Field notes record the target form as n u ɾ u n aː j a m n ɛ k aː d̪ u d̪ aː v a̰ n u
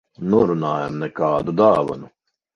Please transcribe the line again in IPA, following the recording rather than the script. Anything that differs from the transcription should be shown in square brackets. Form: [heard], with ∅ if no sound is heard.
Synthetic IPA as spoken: n u ɾ u n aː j a m n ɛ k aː d̪ u d̪ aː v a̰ n u